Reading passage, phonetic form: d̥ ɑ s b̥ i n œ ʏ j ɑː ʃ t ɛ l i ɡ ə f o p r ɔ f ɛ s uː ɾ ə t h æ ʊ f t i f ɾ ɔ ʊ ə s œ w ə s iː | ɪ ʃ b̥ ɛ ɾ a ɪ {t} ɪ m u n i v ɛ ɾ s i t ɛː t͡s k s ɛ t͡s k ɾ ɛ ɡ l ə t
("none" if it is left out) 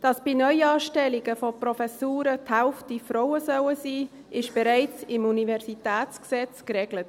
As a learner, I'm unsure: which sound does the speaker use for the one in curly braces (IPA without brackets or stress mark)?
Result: t͡s